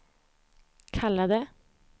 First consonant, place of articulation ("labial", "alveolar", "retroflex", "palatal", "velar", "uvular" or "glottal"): velar